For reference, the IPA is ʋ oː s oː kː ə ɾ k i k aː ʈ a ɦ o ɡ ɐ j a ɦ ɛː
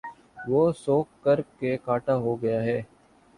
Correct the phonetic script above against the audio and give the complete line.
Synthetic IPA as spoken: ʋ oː s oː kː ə ɾ k e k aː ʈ a ɦ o ɡ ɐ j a ɦ ɛː